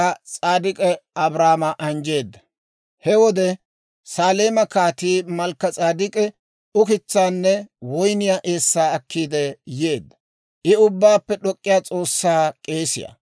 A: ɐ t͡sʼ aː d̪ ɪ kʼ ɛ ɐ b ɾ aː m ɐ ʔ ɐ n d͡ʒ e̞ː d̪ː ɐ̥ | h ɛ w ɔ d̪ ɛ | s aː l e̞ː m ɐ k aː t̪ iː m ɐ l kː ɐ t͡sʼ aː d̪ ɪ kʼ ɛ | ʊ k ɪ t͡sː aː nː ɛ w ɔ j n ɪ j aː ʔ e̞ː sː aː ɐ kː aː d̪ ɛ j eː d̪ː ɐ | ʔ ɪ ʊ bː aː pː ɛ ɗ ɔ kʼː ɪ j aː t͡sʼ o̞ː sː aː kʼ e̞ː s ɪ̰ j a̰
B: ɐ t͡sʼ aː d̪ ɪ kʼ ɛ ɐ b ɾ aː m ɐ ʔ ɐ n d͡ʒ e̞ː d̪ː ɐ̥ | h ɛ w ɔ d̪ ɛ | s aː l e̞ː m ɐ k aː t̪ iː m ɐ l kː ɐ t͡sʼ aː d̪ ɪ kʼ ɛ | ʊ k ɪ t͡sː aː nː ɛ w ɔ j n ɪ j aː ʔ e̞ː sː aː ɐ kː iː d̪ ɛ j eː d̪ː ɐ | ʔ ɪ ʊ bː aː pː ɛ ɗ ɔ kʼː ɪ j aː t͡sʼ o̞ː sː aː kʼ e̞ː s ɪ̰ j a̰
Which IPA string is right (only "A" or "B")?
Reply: B